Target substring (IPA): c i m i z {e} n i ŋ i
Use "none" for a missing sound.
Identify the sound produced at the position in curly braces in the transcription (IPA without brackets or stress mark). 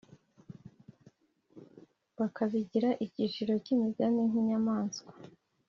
a